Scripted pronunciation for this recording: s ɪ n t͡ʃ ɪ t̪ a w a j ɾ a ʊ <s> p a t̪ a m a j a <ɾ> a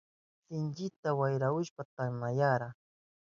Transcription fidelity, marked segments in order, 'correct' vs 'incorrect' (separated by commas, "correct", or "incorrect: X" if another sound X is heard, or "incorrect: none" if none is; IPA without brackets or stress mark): incorrect: ʃ, correct